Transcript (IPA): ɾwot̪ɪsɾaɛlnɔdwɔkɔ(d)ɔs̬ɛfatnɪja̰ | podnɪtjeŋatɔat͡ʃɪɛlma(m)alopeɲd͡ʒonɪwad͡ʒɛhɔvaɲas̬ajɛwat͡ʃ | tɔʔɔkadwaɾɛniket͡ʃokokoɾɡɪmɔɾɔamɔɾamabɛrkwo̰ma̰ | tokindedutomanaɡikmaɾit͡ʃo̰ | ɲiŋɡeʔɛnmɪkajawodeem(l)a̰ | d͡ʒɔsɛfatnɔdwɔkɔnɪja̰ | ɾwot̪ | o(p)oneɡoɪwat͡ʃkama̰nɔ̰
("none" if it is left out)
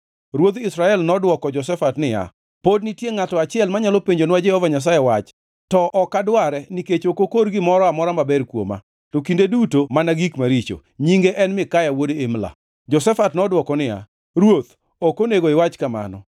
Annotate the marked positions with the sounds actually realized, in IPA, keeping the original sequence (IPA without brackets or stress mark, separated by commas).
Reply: d͡ʒ, ɲ, l, k